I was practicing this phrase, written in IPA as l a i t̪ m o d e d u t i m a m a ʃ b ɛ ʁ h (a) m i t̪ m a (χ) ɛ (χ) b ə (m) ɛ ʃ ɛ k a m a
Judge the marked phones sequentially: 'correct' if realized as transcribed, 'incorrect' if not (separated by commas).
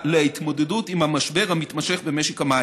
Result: correct, incorrect, correct, correct